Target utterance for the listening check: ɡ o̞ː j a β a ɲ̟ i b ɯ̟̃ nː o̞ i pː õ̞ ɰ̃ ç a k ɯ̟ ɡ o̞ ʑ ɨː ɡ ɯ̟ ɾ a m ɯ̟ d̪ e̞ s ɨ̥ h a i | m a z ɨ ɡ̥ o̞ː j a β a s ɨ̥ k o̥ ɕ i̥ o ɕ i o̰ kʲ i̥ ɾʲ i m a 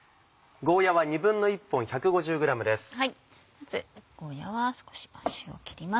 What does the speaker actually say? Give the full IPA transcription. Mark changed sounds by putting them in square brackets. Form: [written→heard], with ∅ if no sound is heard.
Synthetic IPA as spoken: ɡ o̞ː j a β a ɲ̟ i b ɯ̟̃ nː o̞ i pː õ̞ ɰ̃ ç a k ɯ̟ ɡ o̞ ʑ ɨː ɡ ɯ̟ ɾ a m ɯ̟ d̪ e̞ s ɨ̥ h a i | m a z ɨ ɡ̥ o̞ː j a β a s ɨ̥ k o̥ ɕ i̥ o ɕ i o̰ kʲ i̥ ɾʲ i m a